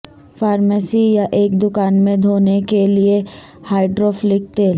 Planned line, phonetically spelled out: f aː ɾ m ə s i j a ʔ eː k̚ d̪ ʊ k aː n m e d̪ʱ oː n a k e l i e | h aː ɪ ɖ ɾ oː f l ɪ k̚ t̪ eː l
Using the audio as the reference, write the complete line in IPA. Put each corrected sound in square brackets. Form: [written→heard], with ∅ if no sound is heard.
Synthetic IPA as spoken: f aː ɾ m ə s i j a ʔ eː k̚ d̪ ʊ k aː n m [e→ẽ] d̪ʱ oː n [a→e] k e l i e | h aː ɪ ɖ ɾ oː f l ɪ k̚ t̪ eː l